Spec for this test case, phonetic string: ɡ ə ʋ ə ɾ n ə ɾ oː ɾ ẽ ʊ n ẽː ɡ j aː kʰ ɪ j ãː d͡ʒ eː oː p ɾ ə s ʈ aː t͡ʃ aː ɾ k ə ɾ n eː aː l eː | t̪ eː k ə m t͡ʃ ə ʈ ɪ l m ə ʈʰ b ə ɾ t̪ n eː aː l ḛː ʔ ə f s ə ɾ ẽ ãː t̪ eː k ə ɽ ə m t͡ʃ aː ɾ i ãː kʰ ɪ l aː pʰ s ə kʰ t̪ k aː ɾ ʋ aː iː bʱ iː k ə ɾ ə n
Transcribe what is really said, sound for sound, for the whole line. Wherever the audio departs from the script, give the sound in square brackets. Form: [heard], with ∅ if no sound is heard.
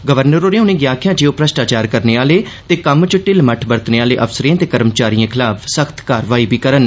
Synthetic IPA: ɡ ə ʋ ə ɾ n ə ɾ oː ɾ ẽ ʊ n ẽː ɡ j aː kʰ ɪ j ãː d͡ʒ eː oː p ɾ ə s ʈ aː t͡ʃ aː ɾ k ə ɾ n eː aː l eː | t̪ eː k ə m t͡ʃ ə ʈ ɪ l m ə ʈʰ b ə ɾ t̪ n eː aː l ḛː ʔ ə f s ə ɾ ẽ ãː t̪ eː k ə [ɾ] ə m t͡ʃ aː ɾ i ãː kʰ ɪ l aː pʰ s ə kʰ t̪ k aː ɾ ʋ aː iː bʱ iː k ə ɾ ə n